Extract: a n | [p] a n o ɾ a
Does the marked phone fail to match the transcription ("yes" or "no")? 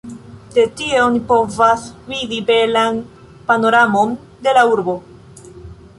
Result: no